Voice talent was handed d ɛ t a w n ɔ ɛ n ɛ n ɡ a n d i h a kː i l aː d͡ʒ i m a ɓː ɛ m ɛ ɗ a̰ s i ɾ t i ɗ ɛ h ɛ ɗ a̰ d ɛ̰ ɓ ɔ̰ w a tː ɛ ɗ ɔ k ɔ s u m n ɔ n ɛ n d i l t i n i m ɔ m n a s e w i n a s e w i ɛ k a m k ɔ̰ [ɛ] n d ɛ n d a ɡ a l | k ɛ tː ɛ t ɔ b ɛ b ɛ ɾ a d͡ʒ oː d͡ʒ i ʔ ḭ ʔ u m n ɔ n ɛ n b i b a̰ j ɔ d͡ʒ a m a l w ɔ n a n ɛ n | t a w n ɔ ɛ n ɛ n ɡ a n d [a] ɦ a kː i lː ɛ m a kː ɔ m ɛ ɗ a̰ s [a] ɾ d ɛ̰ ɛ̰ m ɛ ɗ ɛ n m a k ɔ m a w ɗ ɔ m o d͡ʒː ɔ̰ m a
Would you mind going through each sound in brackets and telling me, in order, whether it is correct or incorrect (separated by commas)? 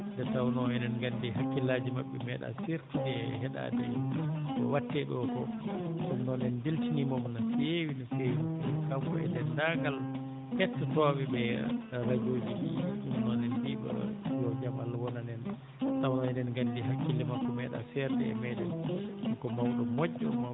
correct, incorrect, incorrect